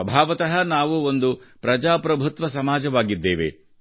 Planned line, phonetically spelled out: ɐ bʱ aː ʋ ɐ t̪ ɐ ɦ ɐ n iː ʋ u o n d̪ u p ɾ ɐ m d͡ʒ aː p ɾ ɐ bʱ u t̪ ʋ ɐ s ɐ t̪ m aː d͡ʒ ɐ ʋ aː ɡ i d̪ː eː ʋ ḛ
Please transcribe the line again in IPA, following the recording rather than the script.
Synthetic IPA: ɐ bʱ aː ʋ ɐ t̪ ɐ ɦ ɐ n aː ʋ u o n d̪ u p ɾ ɐ d͡ʒ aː p ɾ ɐ bʱ u t̪ ʋ ɐ s ɐ m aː d͡ʒ ɐ ʋ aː ɡ i d̪ː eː ʋ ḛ